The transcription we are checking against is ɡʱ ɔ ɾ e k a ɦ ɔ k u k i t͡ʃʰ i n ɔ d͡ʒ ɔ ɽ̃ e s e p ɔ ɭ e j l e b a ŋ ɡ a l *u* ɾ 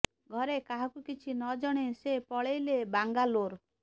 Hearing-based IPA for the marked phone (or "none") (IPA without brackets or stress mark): o